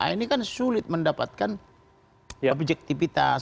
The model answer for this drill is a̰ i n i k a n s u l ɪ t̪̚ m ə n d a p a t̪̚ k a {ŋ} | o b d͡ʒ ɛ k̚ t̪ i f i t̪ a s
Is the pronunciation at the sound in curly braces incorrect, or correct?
incorrect